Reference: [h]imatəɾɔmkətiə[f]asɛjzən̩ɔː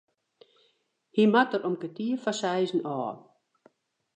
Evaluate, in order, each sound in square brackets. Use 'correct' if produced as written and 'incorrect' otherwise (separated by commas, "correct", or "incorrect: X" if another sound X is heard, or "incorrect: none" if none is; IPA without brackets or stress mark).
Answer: correct, correct